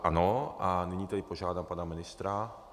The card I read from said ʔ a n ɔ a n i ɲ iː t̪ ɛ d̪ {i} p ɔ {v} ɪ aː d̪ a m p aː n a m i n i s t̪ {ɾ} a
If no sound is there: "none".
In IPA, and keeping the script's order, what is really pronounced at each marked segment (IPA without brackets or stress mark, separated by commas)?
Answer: i, ʒ, ɾ